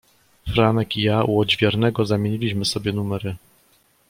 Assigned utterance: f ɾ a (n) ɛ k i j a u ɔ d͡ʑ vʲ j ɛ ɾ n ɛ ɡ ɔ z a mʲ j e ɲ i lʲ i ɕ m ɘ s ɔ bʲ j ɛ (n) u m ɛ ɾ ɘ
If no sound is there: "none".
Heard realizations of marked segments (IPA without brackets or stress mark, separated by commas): n, n